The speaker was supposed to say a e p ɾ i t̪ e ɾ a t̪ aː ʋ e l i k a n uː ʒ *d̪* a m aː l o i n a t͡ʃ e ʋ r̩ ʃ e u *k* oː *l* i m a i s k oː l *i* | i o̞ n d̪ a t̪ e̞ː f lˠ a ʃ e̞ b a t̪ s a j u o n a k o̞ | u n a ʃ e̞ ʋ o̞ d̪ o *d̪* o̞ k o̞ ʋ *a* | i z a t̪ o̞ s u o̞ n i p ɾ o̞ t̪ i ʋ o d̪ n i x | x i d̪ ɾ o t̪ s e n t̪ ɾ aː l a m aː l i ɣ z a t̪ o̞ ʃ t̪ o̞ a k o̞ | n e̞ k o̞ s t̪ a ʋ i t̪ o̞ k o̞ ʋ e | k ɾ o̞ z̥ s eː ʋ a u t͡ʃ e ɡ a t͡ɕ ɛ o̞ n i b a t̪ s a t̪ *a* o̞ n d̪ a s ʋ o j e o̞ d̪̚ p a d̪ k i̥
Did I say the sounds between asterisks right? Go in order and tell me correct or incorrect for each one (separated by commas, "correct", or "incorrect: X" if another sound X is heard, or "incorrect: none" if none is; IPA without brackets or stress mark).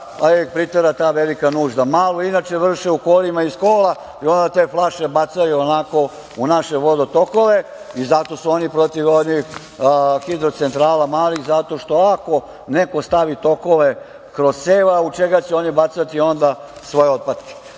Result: correct, correct, correct, incorrect: a, incorrect: t̪, incorrect: e, incorrect: i